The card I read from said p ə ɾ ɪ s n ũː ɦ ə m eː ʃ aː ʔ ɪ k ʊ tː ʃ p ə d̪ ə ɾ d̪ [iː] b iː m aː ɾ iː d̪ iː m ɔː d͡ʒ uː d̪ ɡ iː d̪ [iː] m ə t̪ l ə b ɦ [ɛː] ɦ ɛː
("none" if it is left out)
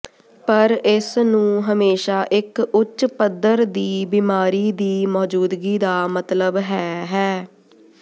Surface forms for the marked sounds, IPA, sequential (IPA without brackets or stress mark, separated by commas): iː, aː, ɛː